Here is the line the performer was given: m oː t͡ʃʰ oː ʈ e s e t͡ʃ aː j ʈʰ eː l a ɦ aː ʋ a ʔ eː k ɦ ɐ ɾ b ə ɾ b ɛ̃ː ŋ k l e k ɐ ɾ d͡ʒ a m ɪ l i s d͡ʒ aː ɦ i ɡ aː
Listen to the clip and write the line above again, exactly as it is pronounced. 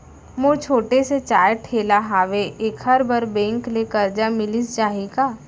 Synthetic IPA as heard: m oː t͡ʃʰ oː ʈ e s e t͡ʃ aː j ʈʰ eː l a ɦ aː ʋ e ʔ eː k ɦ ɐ ɾ b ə ɾ b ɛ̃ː ŋ k l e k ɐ ɾ d͡ʒ a m ɪ l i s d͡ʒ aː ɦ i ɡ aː